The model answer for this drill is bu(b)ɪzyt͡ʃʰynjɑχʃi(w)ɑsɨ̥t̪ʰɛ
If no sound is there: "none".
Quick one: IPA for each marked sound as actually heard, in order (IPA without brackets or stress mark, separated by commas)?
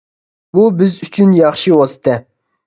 b, w